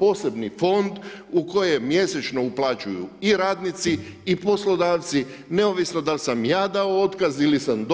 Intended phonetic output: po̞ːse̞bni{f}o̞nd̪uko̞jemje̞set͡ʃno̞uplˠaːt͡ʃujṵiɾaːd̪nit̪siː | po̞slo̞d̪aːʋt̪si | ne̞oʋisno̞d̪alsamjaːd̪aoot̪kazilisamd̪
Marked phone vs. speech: correct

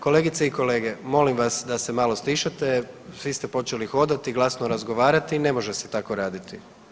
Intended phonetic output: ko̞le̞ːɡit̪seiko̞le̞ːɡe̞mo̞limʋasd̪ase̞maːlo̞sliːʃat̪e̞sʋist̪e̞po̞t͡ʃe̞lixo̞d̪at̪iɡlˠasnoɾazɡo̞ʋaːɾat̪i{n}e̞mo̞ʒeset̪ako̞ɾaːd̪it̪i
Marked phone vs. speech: correct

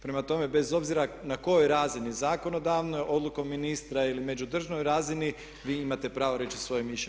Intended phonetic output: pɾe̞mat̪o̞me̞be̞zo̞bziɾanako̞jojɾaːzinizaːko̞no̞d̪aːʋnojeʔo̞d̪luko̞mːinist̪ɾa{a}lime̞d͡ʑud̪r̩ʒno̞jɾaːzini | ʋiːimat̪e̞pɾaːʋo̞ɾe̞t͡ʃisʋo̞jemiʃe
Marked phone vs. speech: incorrect: i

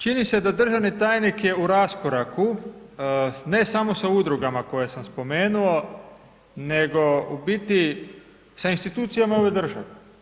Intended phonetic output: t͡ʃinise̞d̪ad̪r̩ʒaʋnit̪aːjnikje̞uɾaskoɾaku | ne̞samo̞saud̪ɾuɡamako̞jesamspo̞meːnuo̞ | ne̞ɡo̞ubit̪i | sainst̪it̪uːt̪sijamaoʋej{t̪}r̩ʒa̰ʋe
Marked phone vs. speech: incorrect: d̪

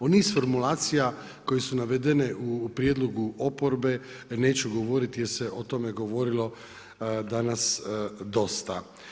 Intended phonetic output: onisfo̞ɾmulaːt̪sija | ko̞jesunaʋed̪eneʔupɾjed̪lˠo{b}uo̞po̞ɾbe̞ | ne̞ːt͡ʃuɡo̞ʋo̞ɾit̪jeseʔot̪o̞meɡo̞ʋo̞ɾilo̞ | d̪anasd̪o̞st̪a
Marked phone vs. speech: incorrect: ɡ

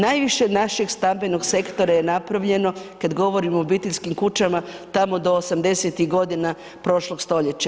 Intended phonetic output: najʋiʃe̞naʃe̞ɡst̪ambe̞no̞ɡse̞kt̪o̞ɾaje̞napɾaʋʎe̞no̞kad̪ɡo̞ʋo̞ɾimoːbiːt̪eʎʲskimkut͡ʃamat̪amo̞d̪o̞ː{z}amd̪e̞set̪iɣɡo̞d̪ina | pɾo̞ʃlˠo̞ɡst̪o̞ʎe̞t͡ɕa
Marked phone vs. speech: incorrect: s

